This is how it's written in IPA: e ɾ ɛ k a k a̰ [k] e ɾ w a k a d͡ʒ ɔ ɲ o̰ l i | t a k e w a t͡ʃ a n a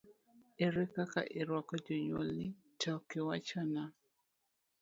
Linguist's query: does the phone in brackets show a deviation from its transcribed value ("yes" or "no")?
yes